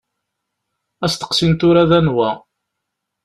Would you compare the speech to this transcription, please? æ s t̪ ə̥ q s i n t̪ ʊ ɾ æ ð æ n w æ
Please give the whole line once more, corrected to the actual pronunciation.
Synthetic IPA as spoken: æ s t̪ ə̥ q s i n t̪ ʊ ɾ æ ð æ n w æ

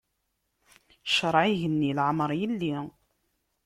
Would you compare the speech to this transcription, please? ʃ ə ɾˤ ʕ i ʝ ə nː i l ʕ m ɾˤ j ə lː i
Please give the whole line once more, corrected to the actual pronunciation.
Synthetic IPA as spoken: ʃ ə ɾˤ ʕ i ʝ ə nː i l ʕ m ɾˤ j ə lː i

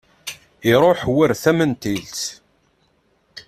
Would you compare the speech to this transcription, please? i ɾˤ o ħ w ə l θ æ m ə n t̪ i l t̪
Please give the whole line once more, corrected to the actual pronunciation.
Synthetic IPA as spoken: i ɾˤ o ħ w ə ɾ θ æ m ə n t̪ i l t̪

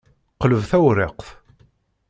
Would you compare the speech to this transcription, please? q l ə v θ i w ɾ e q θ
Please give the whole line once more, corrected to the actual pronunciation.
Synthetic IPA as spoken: q l ə v θ æ w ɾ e q θ

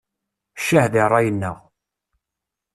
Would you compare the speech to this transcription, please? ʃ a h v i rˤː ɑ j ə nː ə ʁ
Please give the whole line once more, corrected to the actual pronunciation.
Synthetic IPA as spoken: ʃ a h ð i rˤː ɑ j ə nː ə ʁ

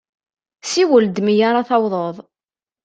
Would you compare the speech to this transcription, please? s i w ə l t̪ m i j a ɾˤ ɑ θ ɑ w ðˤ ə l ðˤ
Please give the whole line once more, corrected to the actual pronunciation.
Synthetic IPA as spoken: s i w ə l d̪ m i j a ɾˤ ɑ θ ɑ w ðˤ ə ðˤ

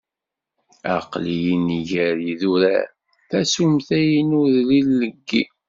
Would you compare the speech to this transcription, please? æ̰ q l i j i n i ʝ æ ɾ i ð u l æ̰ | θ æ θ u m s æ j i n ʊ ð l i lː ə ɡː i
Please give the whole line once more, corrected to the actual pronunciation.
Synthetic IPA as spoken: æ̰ q l i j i n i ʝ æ ɾ i ð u ɾ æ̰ | θ æ s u m θ æ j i n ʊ ð l i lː ə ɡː i

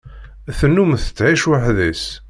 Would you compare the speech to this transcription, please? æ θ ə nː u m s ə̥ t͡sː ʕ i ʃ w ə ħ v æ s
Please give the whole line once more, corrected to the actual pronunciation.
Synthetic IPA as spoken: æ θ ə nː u m θ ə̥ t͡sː ʕ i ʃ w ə ħ ð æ s

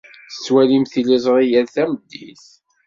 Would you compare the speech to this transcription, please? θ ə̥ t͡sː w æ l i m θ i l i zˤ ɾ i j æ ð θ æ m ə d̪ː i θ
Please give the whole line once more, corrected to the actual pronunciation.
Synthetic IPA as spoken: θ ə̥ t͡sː w æ l i m θ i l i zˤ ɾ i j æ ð θ æ m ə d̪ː i θ

